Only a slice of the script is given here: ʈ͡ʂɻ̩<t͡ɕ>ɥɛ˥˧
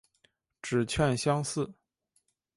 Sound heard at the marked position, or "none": t͡ɕʰ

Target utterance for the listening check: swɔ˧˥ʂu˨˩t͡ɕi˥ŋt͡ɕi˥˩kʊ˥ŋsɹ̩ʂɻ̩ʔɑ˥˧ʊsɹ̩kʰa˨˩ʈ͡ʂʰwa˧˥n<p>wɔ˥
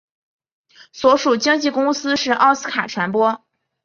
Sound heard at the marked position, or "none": p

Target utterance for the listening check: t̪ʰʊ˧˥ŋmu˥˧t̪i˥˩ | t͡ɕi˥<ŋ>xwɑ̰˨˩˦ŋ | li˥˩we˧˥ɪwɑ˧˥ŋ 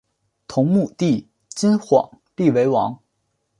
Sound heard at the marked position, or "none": n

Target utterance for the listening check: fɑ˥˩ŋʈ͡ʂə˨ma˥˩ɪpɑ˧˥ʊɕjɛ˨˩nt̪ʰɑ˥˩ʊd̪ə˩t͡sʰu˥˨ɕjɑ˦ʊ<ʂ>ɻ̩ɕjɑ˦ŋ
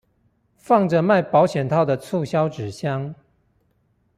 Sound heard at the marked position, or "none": ʈ͡ʂ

